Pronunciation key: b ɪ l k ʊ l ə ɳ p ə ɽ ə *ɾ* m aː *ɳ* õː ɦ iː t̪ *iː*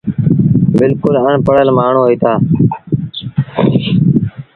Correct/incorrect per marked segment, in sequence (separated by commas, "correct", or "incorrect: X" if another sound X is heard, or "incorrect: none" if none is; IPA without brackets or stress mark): incorrect: l, correct, incorrect: aː